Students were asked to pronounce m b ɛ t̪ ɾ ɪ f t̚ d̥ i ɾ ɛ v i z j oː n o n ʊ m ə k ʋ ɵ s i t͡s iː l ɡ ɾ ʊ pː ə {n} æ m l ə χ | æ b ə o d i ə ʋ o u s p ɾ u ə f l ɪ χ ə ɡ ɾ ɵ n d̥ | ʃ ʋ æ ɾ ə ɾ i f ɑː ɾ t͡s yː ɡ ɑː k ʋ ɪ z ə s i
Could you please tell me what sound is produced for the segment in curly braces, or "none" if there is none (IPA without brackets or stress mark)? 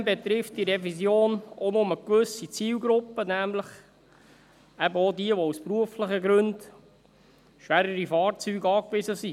n